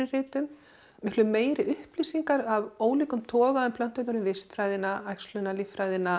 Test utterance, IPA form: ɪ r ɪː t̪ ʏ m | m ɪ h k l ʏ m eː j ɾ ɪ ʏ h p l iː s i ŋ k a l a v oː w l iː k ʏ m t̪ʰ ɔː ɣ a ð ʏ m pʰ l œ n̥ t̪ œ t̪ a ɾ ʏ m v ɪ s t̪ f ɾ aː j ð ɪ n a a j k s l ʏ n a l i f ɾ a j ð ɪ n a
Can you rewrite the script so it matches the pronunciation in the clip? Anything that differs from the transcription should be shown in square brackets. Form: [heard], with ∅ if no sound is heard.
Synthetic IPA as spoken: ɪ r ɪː t̪ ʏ m | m ɪ h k l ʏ m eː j ɾ ɪ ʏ h p l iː s i ŋ k a [ɾ] a v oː w l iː k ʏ m t̪ʰ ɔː ɣ a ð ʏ m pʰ l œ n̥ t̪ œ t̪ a ɾ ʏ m v ɪ s t̪ f ɾ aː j ð ɪ n a a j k s l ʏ n a l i f ɾ a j ð ɪ n a